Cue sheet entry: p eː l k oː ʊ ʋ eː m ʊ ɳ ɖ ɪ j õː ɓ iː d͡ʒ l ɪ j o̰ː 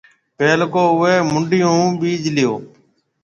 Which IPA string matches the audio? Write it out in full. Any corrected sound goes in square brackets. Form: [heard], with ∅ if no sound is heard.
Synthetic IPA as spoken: p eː l k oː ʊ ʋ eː m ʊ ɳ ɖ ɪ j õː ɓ iː d͡ʒ l ɪ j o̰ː